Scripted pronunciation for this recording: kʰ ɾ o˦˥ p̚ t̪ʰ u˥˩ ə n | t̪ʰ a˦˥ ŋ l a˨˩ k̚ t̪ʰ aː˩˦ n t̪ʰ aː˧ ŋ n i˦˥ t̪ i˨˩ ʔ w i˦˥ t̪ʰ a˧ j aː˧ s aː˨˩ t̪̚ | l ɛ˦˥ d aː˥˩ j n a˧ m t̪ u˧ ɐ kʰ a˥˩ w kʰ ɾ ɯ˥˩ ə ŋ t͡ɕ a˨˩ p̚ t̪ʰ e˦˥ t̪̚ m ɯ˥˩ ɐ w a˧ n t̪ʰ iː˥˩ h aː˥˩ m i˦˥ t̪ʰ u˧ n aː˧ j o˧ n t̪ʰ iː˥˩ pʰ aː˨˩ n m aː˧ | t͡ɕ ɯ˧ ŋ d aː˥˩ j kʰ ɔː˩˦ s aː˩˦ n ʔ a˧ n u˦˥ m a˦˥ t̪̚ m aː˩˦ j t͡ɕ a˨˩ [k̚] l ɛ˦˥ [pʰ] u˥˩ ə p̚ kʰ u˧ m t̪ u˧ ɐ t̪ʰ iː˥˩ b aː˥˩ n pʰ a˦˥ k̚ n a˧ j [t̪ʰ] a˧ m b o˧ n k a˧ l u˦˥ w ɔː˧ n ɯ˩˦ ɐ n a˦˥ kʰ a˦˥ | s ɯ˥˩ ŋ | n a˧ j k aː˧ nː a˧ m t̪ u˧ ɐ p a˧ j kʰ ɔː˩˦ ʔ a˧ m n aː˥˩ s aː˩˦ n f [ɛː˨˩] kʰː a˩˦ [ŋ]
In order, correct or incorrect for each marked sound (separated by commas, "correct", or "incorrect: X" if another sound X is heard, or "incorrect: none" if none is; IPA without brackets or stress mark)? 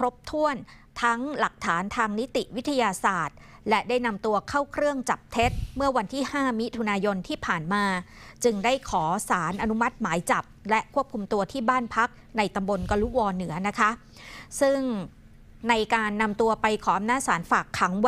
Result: incorrect: p̚, incorrect: kʰ, incorrect: t̪, incorrect: aː˨˩, correct